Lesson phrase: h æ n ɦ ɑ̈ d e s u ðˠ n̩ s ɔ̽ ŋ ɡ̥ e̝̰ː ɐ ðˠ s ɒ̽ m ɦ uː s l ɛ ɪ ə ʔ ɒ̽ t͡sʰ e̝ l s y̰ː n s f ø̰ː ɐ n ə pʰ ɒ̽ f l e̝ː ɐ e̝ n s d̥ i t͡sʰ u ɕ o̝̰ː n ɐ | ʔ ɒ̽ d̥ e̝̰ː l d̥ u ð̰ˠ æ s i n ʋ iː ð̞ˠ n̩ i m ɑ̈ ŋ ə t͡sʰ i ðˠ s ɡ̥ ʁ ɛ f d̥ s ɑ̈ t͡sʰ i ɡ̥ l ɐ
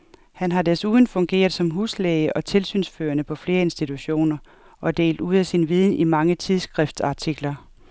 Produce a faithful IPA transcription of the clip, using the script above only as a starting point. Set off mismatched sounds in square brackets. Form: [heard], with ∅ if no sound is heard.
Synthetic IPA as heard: h æ n ɦ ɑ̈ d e s u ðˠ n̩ [f] ɔ̽ ŋ ɡ̥ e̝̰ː ɐ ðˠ s ɒ̽ m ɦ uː s l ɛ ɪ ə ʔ ɒ̽ t͡sʰ e̝ l s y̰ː n s f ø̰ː ɐ n ə pʰ ɒ̽ f l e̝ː ɐ e̝ n s d̥ i t͡sʰ u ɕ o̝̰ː n ɐ | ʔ ɒ̽ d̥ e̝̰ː l d̥ u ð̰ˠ æ s i n ʋ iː ð̞ˠ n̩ i m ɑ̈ ŋ ə t͡sʰ i ðˠ s ɡ̥ ʁ ɛ f d̥ s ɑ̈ t͡sʰ i ɡ̥ l ɐ